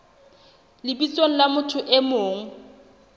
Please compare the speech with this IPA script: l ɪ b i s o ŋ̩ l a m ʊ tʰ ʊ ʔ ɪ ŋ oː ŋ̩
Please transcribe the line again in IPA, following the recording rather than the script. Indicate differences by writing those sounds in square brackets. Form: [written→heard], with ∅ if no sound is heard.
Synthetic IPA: l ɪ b i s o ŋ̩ l a m ʊ tʰ ʊ ʔ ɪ [ŋ→m] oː ŋ̩